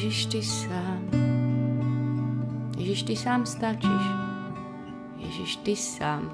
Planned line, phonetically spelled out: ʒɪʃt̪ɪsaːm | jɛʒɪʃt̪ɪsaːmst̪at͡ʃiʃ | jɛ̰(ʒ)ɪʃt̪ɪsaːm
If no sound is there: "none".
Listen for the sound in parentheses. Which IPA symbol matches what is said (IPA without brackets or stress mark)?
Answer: ʒ